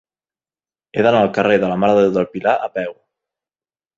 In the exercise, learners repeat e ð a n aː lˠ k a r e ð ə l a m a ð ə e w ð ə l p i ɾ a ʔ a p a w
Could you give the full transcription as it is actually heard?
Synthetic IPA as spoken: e ð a n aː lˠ k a r e ð ə l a m a ð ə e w ð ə l p i l a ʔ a p ɛ w

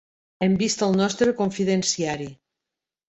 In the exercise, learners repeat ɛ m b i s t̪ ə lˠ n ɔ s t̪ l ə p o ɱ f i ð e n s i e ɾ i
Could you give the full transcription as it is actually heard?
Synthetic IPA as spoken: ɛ m b i s t̪ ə lˠ n ɔ s t̪ ɾ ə k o ɱ f i ð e n s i a ɾ i

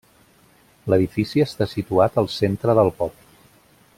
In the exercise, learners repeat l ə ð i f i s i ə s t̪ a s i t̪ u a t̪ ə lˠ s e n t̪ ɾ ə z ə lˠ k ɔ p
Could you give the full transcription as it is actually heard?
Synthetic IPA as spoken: l ə ð i f i s i ə s t̪ a s i t̪ u a t̪ ə lˠ s e n t̪ ɾ ə ð ə lˠ p ɔ p

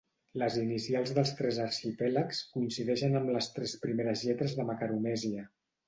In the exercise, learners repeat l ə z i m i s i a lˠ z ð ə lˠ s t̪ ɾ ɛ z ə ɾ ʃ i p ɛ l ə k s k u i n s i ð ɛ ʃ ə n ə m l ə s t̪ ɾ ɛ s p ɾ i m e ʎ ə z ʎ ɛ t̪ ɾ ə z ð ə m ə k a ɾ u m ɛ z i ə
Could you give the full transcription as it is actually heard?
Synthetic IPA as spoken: l ə z i n i s i a lˠ z ð ə lˠ s t̪ ɾ ɛ z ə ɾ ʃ i p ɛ l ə k s k u i n s i ð ɛ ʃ ə n ə m l ə s t̪ ɾ ɛ s p ɾ i m e ɾ ə z ʎ ɛ t̪ ɾ ə z ð ə m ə k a ɾ u m ɛ z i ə

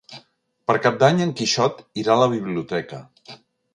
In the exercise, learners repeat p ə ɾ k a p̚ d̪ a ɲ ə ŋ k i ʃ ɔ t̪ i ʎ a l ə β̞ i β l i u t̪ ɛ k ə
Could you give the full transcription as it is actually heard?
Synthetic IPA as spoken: p ə ɾ k a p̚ d̪ a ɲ ə ŋ k i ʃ ɔ t̪ i ɾ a l ə β̞ i β l i u t̪ ɛ k ə

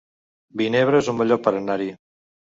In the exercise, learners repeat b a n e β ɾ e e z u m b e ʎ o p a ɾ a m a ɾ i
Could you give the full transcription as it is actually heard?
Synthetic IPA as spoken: b i n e β ɾ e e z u m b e ʎ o p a ɾ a n a ɾ i

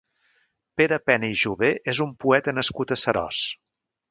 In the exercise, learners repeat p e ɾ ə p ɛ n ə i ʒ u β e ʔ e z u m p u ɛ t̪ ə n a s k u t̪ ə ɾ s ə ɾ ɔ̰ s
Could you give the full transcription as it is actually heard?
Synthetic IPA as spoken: p e ɾ ə p ɛ n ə i ʒ u β e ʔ e z u m p u ɛ t̪ ə n ə s k u t̪ ə s ə ɾ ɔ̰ s

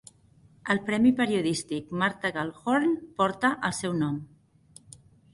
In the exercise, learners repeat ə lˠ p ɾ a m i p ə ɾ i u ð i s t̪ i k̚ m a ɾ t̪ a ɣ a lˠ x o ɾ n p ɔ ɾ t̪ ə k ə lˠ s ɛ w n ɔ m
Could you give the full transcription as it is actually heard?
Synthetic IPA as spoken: ə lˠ p ɾ ɛ m i p ə ɾ i u ð i s t̪ i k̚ m a ɾ t̪ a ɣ a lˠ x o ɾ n p ɔ ɾ t̪ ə ʔ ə lˠ s ɛ w n ɔ m

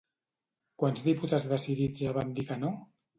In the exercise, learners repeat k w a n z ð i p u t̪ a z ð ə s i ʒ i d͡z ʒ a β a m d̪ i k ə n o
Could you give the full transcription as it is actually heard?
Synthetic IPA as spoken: k w a n z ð i p u t̪ a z ð ə s i ð i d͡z ʒ a β a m d̪ i k ə n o

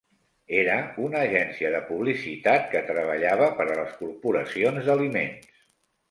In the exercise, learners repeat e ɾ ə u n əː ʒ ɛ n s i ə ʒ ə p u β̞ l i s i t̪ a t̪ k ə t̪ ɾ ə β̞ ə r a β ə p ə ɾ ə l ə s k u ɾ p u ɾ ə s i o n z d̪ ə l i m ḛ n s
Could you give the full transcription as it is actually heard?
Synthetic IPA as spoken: e ɾ ə u n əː ʒ ɛ n s i ə ð ə p u β̞ l i s i t̪ a t̪ k ə t̪ ɾ ə β̞ ə ʎ a β ə p ə ɾ ə l ə s k u ɾ p u ɾ ə s i o n z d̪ ə l i m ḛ n s

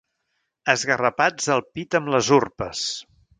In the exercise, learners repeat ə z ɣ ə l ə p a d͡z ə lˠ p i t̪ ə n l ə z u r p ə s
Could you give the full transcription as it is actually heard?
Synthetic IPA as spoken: ə z ɣ ə r ə p a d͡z ə lˠ p i t̪ ə m l ə z u r p ə s

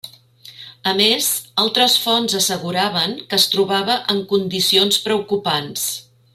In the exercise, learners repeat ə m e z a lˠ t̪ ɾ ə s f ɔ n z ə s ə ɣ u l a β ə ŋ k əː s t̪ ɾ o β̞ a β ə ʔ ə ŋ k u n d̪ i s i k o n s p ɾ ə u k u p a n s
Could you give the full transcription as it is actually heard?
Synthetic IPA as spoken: ə m e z a lˠ t̪ ɾ ə s f ɔ n z ə s ə ɣ u ɾ a β ə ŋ k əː s t̪ ɾ u β̞ a β ə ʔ ə ŋ k u n d̪ i s i o n s p ɾ ə u k u p a n s

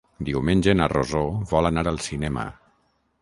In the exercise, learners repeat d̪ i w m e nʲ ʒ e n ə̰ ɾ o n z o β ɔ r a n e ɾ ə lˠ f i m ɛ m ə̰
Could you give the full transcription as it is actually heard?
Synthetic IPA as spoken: d̪ i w m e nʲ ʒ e n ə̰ r o z o β ɔ l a n a ɾ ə lˠ s i n ɛ m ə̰

